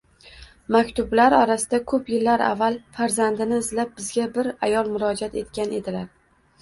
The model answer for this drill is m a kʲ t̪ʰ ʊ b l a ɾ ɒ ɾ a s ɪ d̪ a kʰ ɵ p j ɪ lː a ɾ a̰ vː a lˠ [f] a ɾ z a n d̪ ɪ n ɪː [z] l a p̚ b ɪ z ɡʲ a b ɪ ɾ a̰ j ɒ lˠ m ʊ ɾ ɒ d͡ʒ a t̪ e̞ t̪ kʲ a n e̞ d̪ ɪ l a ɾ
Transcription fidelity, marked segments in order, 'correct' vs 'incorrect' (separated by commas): correct, correct